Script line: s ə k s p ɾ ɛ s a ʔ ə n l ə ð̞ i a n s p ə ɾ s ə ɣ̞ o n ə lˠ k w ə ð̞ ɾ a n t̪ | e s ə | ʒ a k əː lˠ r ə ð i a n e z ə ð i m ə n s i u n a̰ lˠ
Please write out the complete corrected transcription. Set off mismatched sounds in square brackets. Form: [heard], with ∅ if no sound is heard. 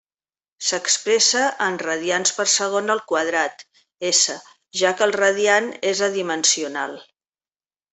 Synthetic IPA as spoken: s ə k s p ɾ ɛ s [ə] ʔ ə n [r] ə ð̞ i a n s p ə ɾ s ə ɣ̞ o n ə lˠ k w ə ð̞ ɾ a [∅] t̪ | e s ə | ʒ a k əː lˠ r ə ð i a n e z ə ð i m ə n s i u n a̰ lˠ